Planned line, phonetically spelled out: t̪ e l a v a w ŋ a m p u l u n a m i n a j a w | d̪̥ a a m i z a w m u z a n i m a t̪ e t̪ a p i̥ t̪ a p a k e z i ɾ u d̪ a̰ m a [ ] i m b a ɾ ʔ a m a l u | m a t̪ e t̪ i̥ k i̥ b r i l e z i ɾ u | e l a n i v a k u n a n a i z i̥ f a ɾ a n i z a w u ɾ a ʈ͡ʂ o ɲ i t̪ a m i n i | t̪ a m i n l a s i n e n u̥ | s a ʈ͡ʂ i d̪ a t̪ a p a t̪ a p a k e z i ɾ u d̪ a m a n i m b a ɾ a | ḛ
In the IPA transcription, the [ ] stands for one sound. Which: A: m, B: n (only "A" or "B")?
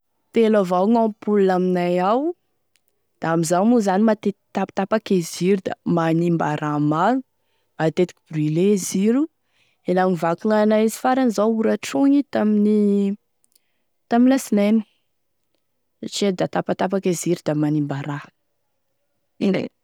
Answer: B